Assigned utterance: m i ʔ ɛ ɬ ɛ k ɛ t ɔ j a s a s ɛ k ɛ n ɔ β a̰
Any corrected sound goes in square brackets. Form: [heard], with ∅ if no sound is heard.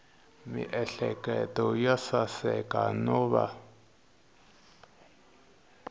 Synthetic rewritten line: m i ʔ ɛ ɬ ɛ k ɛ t ɔ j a s a s ɛ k [a] n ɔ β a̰